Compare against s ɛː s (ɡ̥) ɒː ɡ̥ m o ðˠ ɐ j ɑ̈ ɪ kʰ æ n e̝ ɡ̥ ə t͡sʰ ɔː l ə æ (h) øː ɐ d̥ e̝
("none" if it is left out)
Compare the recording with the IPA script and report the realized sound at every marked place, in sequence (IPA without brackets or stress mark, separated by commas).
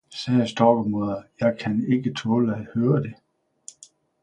d̥, h